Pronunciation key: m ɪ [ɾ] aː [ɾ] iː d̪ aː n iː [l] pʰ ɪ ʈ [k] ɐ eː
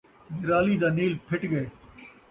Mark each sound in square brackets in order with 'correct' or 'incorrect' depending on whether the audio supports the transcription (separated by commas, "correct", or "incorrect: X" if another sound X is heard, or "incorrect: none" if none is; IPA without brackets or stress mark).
correct, incorrect: l, correct, incorrect: ɡ